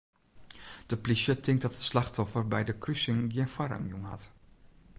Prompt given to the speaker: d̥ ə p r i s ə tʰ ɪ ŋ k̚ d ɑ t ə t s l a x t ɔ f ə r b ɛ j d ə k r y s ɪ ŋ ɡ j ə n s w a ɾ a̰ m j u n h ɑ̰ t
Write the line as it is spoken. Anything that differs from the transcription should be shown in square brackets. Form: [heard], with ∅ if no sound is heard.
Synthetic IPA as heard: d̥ ə p [l] i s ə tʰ ɪ ŋ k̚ d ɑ t ə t s l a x t ɔ f ə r b ɛ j d ə k r y s ɪ ŋ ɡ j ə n [f] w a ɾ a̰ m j u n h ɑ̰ t